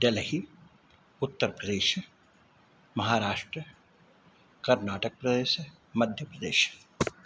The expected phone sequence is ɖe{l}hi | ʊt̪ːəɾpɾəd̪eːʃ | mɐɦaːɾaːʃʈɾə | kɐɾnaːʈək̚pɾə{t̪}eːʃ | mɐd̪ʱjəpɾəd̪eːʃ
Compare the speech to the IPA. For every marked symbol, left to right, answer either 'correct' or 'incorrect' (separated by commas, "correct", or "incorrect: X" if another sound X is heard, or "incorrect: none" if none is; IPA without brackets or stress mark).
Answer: correct, incorrect: d̪